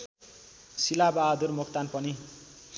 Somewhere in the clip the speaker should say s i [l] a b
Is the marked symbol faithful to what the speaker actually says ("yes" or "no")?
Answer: yes